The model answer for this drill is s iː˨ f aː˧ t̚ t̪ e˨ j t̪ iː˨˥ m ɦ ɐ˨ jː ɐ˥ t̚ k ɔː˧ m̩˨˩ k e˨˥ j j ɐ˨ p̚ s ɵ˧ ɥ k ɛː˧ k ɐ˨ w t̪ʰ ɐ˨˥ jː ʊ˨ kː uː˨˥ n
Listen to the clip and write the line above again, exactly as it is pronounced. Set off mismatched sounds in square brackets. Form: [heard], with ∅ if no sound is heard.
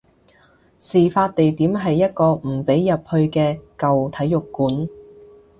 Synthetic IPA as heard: s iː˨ f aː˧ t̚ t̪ e˨ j t̪ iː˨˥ m ɦ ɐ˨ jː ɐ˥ t̚ k ɔː˧ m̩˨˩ [p] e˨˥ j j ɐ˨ p̚ [h] ɵ˧ ɥ k ɛː˧ k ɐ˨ w t̪ʰ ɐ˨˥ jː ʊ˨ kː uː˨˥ n

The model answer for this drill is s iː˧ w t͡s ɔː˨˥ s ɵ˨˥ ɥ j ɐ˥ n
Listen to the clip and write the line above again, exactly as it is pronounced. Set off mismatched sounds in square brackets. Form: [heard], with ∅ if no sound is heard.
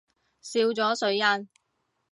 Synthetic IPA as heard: s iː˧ w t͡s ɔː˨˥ s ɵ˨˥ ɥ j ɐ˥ n

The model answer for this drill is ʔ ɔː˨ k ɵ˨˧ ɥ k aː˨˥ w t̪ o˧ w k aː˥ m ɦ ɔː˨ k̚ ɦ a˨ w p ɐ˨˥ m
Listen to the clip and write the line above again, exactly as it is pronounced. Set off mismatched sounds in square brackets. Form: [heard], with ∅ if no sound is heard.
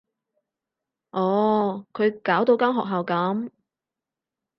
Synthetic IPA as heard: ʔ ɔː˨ [kʰ] ɵ˨˧ ɥ k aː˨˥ w t̪ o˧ w k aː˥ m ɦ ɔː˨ k̚ ɦ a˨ w [k] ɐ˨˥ m

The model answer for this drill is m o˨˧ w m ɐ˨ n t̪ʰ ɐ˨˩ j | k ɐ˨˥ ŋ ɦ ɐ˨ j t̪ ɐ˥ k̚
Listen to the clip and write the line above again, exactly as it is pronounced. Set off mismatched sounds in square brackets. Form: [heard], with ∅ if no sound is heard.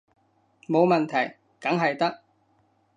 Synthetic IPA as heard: m o˨˧ w m ɐ˨ n t̪ʰ ɐ˨˩ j | k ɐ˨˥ ŋ ɦ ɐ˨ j t̪ ɐ˥ k̚

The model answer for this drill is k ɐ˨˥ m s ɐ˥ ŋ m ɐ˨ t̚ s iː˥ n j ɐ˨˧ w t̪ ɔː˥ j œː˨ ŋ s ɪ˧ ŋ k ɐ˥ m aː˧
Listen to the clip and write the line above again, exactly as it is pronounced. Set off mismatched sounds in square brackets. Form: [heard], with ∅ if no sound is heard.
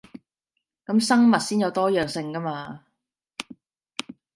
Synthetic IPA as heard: k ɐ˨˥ m s ɐ˥ ŋ m ɐ˨ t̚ s iː˥ n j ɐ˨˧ w t̪ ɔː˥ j œː˨ ŋ s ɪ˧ ŋ k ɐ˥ m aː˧

